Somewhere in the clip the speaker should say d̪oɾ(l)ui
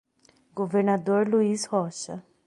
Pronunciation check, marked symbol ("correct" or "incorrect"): correct